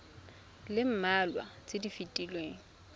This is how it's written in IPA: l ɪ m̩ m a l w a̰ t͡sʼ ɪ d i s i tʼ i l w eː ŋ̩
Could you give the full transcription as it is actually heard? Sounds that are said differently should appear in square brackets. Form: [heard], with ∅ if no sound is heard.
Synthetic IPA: l ɪ m̩ m a l w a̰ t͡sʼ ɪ d i [f] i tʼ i l w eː ŋ̩